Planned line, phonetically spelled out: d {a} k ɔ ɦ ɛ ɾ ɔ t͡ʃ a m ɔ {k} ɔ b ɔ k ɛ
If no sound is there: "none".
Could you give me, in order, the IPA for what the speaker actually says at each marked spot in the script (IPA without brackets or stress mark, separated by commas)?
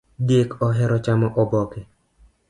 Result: e, ʔ